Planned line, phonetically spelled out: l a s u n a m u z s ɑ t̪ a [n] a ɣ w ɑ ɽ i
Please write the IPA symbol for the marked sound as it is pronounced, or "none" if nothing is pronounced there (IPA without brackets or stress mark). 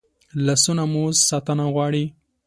n